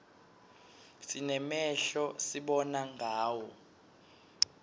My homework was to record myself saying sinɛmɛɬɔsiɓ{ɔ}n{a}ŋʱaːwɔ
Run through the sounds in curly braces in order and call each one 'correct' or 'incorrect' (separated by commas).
correct, correct